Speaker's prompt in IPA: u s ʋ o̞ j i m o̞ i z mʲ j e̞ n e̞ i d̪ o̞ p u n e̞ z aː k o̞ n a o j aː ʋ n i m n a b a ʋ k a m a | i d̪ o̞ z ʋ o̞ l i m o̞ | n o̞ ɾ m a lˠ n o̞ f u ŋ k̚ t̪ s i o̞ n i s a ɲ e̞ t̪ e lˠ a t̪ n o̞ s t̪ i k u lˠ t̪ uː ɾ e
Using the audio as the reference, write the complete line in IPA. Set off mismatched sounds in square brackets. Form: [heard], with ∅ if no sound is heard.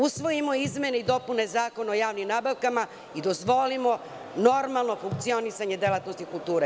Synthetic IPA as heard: u s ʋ o̞ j i m o̞ i z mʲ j e̞ n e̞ i d̪ o̞ p u n e̞ z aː k o̞ n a o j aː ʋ n i m n a b a ʋ k a m a | i d̪ o̞ z ʋ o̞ l i m o̞ | n o̞ ɾ m a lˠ n o̞ f u ŋ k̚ t̪ s i o̞ n i s a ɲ e̞ [d̪] e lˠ a t̪ n o̞ s t̪ i k u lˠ t̪ uː ɾ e

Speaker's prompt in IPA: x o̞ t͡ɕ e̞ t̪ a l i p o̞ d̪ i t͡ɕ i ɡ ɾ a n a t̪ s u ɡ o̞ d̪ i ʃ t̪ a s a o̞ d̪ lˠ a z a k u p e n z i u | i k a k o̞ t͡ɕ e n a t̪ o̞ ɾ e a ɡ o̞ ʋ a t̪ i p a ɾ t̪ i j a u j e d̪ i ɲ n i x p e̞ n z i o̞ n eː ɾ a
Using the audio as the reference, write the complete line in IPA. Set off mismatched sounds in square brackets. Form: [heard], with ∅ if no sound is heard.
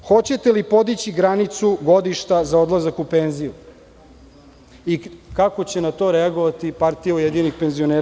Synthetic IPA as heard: x o̞ t͡ɕ e̞ t̪ [e] l i p o̞ d̪ i t͡ɕ i ɡ ɾ a n [i] t̪ s u ɡ o̞ d̪ i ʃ t̪ a [z] a o̞ d̪ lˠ a z a k u p e n z i u | i k a k o̞ t͡ɕ e n a t̪ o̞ ɾ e a ɡ o̞ ʋ a t̪ i p a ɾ t̪ i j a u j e d̪ i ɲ n i x p e̞ n z i o̞ n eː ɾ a

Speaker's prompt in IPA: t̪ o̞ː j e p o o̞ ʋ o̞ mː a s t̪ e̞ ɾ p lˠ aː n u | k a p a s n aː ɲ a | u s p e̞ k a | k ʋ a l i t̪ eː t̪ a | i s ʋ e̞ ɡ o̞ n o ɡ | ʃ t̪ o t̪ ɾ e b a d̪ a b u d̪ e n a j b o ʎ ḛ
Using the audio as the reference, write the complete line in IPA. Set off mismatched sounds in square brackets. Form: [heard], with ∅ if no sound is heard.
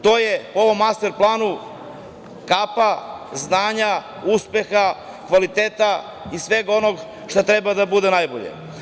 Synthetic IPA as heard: t̪ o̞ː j e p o o̞ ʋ o̞ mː a s t̪ e̞ ɾ p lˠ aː n u | k a p a [z] n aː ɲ a | u s p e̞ [x] a | k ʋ a l i t̪ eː t̪ a | i s ʋ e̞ ɡ o̞ n o ɡ | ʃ t̪ o t̪ ɾ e b a d̪ a b u d̪ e n a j b o ʎ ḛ

